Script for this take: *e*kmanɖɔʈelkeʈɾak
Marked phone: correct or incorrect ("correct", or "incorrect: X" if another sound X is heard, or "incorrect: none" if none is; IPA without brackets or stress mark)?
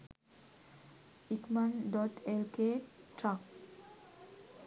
incorrect: i